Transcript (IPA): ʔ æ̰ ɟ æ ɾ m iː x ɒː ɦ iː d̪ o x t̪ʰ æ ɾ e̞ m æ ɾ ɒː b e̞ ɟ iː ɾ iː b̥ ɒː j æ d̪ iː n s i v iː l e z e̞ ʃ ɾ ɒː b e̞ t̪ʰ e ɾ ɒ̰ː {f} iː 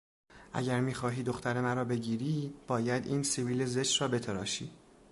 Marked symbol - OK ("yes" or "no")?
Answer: no